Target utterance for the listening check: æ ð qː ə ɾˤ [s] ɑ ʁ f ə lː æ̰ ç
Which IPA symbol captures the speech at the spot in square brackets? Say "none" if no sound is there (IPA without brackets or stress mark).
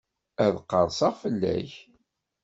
s